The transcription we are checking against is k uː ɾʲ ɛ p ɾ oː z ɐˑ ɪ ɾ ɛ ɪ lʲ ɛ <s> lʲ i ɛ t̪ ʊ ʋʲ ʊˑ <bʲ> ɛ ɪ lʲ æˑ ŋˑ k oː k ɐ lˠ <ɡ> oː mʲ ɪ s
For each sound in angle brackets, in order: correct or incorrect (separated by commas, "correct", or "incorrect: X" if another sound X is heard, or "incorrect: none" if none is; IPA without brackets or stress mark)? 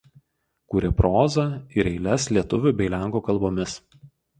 correct, correct, incorrect: b